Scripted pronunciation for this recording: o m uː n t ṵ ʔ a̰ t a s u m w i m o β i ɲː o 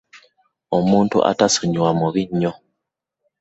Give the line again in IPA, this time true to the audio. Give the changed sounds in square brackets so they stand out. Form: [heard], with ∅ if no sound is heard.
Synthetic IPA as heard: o m uː n t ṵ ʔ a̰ t a s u [ɲ] w [a] m [u] β i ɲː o